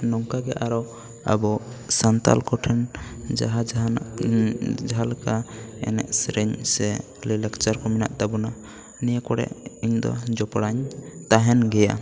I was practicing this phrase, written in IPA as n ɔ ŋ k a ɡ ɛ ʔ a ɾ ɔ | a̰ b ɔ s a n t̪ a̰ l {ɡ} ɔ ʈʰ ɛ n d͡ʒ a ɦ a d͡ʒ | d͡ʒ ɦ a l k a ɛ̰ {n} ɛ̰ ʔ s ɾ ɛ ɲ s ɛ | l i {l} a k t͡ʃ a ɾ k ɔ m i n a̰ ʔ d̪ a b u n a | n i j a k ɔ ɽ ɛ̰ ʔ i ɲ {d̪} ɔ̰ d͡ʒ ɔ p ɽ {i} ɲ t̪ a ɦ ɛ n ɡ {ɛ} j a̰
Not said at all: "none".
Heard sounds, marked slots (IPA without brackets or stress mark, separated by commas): k, n, l, d̪, a, ɛ